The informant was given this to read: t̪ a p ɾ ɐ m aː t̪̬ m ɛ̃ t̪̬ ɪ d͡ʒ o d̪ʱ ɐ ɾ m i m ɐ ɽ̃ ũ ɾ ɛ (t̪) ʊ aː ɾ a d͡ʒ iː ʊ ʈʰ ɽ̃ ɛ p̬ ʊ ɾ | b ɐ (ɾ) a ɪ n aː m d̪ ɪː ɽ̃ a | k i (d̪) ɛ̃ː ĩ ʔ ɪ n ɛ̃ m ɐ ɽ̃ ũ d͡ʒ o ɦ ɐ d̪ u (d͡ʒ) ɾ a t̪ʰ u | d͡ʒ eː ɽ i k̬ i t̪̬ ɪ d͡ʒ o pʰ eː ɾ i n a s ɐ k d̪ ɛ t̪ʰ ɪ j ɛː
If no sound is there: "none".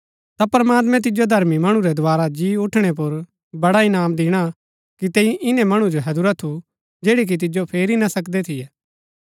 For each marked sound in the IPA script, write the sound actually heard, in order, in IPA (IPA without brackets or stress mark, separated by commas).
d̪, ɽ, t̪, none